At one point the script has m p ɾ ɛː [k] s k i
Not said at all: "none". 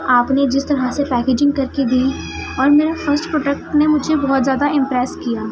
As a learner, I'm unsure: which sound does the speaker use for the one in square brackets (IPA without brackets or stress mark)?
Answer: none